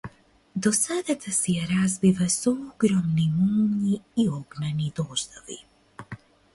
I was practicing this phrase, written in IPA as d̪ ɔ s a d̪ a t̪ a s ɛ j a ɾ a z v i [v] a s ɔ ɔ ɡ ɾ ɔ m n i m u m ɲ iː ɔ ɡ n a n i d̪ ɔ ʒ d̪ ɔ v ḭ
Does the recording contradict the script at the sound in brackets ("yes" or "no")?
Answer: no